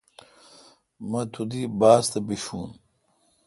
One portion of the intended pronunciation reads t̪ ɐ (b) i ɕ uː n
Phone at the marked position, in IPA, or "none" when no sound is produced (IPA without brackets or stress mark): b